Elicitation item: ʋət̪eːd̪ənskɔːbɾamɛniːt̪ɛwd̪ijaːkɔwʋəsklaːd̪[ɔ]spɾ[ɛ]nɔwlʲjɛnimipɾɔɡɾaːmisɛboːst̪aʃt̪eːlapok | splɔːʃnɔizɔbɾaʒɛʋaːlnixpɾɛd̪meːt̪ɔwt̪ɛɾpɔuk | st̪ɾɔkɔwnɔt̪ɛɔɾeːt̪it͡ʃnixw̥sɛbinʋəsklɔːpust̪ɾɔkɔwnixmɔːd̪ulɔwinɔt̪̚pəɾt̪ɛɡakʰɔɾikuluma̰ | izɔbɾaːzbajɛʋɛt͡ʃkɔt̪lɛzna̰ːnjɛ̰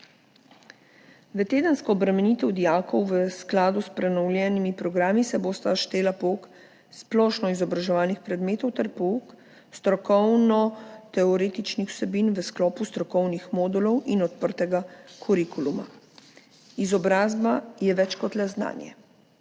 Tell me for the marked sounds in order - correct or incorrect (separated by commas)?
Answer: incorrect, correct